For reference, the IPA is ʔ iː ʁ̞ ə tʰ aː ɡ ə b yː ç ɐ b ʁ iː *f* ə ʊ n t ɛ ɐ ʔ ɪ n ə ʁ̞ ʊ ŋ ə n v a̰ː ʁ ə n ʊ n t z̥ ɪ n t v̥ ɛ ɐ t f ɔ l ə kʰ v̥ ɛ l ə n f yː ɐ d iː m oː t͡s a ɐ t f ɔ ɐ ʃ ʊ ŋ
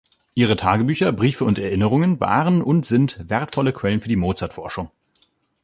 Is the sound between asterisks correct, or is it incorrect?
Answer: correct